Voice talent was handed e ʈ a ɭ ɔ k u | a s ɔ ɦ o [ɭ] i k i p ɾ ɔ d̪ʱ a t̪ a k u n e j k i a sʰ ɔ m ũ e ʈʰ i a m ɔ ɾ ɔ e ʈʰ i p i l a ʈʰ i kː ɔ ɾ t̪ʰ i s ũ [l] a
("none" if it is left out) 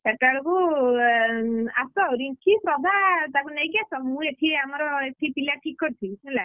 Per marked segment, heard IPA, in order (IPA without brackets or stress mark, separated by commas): ɾ, l